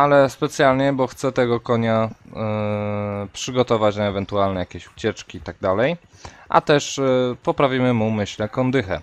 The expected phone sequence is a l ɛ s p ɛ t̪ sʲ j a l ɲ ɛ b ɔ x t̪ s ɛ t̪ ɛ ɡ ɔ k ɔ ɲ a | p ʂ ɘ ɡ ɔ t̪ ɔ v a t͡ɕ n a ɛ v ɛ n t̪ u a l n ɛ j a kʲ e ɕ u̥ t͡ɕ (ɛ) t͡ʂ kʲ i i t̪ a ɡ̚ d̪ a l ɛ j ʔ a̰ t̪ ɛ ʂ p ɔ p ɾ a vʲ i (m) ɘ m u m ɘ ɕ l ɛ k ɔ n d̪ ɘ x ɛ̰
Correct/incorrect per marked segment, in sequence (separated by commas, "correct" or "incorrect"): correct, correct